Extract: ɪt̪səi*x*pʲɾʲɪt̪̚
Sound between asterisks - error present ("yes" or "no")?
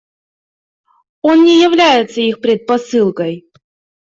no